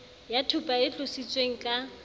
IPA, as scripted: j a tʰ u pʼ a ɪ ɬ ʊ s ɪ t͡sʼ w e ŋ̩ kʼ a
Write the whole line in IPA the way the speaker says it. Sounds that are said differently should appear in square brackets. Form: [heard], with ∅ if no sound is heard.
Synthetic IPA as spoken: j a tʰ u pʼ a ɪ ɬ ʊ s [i] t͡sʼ w e ŋ̩ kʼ a